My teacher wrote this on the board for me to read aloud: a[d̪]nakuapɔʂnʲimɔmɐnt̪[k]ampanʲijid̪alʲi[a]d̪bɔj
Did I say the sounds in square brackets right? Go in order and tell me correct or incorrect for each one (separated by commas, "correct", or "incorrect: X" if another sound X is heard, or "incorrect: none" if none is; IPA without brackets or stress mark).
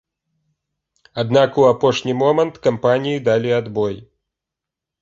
correct, correct, correct